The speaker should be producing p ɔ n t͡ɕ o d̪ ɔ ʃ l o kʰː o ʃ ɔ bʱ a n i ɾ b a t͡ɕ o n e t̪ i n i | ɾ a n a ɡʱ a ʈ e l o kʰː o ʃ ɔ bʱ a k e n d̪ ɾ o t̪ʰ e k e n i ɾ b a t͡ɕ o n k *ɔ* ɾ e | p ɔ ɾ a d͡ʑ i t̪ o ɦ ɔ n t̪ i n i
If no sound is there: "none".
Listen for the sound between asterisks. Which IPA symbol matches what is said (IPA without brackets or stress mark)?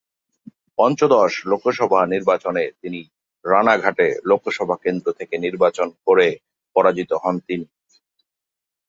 o